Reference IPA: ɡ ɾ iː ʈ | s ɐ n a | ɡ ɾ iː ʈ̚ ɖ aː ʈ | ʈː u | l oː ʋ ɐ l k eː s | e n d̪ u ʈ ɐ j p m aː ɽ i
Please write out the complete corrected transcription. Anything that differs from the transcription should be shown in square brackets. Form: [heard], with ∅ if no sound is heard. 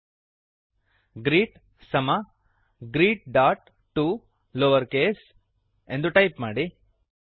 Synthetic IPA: ɡ ɾ iː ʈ | s ɐ [m] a | ɡ ɾ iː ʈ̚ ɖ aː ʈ | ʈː u | l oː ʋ ɐ [ɾ] k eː s | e n d̪ u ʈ ɐ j p m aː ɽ i

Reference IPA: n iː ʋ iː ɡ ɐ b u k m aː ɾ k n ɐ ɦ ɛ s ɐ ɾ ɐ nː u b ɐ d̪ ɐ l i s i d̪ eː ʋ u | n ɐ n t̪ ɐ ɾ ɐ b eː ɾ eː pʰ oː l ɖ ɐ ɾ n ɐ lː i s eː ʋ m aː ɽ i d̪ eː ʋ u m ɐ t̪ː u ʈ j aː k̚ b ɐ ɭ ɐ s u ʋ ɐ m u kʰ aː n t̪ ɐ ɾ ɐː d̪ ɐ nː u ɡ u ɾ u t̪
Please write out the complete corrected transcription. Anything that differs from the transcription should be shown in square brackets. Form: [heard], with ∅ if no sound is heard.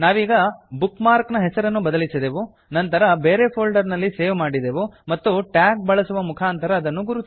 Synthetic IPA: n [aː] ʋ iː ɡ ɐ b u k m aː ɾ k n ɐ ɦ ɛ s ɐ ɾ ɐ nː u b ɐ d̪ ɐ l i s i d̪ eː ʋ u | n ɐ n t̪ ɐ ɾ ɐ b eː ɾ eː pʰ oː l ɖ ɐ ɾ n ɐ lː i s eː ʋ m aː ɽ i d̪ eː ʋ u m ɐ t̪ː u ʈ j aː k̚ b ɐ ɭ ɐ s u ʋ ɐ m u kʰ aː n t̪ ɐ ɾ ɐː d̪ ɐ nː u ɡ u ɾ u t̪

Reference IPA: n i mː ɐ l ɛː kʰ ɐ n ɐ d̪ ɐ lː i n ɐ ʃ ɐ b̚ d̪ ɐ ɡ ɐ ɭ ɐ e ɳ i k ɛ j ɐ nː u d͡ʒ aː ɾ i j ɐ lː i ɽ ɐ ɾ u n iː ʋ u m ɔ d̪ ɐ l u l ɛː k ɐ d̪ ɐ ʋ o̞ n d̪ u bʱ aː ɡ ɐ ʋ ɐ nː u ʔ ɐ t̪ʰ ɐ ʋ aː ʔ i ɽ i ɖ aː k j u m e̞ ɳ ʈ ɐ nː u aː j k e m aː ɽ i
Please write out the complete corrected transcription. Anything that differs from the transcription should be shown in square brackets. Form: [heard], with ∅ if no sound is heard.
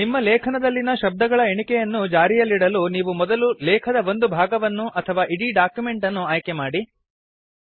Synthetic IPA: n i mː ɐ l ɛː kʰ ɐ n ɐ d̪ ɐ lː i n ɐ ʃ ɐ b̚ d̪ ɐ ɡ ɐ ɭ ɐ e ɳ i k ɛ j ɐ nː u d͡ʒ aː ɾ i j ɐ lː i ɽ ɐ [l] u n iː ʋ u m ɔ d̪ ɐ l u l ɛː [kʰ] ɐ d̪ ɐ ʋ o̞ n d̪ u bʱ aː ɡ ɐ ʋ ɐ nː u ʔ ɐ t̪ʰ ɐ ʋ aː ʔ i ɽ i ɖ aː k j u m e̞ ɳ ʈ ɐ nː u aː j k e m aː ɽ i

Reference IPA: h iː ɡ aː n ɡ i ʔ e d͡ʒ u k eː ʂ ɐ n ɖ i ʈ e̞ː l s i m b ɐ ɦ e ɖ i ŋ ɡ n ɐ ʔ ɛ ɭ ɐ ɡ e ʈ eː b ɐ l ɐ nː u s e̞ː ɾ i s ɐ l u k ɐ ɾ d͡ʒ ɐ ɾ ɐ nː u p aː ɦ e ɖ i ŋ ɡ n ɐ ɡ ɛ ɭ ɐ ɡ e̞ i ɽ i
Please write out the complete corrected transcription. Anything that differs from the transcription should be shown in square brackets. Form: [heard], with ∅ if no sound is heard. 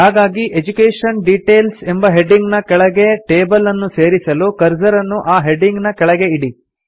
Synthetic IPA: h [aː] ɡ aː [∅] ɡ i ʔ e d͡ʒ u k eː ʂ ɐ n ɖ i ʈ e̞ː l s [e] m b ɐ ɦ e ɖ i ŋ ɡ n ɐ [k] ɛ ɭ ɐ ɡ e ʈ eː b ɐ l ɐ nː u s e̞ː ɾ i s ɐ l u k ɐ ɾ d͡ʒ ɐ ɾ ɐ nː u [ʔ] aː ɦ e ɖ i ŋ ɡ n ɐ [k] ɛ ɭ ɐ ɡ e̞ i ɽ i

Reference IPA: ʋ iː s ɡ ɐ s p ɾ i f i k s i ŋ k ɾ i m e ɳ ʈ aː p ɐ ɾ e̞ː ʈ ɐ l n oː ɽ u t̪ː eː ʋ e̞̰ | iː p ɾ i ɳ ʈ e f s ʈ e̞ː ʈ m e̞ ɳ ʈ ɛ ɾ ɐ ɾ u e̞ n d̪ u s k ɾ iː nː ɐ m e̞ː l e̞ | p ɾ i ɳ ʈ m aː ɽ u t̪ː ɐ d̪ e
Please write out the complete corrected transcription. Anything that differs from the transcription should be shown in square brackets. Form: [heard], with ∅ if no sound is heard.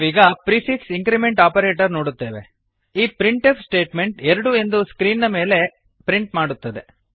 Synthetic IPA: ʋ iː [∅] ɡ ɐ [∅] p ɾ i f i k s i ŋ k ɾ i m e ɳ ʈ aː p ɐ ɾ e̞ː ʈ ɐ [ɾ] n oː ɽ u t̪ː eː ʋ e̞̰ | iː p ɾ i ɳ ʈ e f s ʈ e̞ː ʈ m e̞ ɳ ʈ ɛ ɾ ɐ [ɽ] u e̞ n d̪ u s k ɾ iː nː ɐ m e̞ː l e̞ | p ɾ i ɳ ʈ m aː ɽ u t̪ː ɐ d̪ e

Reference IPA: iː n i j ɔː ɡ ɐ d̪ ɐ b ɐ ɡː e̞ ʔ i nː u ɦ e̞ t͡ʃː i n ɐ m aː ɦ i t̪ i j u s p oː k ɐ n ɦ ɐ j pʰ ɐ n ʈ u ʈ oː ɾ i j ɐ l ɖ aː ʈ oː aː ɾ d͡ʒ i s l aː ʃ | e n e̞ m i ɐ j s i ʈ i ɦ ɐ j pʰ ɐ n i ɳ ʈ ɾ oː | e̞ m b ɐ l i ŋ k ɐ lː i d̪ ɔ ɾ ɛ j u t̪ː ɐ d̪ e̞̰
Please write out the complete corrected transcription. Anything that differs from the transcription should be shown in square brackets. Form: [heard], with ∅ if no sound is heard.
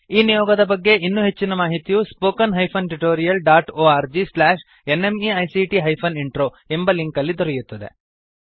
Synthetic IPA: iː n i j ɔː ɡ ɐ d̪ ɐ b ɐ ɡː e̞ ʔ i nː u ɦ e̞ t͡ʃː i n ɐ m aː ɦ i t̪ i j u s p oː k ɐ n ɦ ɐ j pʰ ɐ n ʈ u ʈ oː ɾ i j ɐ l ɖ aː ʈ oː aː ɾ d͡ʒ i s l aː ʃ | e n e̞ m i ɐ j s i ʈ i ɦ ɐ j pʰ ɐ n i ɳ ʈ ɾ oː | e̞ m b ɐ l i ŋ k ɐ lː i d̪ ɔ ɾ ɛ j u t̪ː ɐ d̪ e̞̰

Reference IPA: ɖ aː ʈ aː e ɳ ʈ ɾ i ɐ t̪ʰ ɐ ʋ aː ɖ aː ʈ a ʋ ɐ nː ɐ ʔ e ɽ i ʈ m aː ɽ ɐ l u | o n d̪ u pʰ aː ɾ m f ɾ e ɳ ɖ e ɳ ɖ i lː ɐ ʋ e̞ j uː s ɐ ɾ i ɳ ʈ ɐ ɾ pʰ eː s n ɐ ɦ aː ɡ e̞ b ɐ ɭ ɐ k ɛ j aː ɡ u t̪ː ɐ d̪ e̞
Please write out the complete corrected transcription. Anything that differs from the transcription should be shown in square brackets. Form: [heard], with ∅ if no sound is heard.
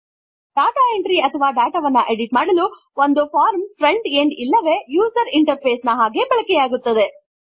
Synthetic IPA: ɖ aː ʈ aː e ɳ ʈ ɾ i ɐ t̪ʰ ɐ ʋ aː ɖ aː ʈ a ʋ ɐ nː ɐ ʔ e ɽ i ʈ m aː ɽ ɐ l u | o n d̪ u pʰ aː ɾ m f ɾ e ɳ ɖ e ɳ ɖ i lː ɐ ʋ e̞ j uː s ɐ ɾ i ɳ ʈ ɐ ɾ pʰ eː s n ɐ ɦ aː ɡ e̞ b ɐ ɭ ɐ k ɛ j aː ɡ u t̪ː ɐ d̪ e̞

